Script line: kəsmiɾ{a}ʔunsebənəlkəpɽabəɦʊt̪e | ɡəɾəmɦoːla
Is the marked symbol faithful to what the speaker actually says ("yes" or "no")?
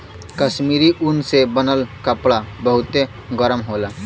no